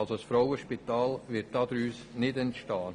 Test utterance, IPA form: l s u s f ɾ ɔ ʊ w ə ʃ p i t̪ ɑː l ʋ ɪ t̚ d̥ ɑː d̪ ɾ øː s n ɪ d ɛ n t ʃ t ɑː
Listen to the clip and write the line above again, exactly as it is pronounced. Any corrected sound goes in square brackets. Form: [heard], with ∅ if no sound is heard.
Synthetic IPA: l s [o] s f ɾ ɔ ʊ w ə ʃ p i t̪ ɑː l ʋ ɪ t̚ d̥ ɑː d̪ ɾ [yː] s n ɪ d ɛ n t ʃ t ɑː